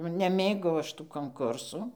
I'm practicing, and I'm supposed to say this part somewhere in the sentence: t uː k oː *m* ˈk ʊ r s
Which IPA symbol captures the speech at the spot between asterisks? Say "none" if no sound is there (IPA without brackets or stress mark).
ŋ